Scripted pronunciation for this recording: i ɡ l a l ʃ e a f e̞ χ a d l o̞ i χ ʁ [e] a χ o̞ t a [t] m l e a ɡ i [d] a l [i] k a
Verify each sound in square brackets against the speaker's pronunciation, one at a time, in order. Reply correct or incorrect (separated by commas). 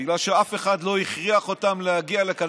incorrect, incorrect, incorrect, incorrect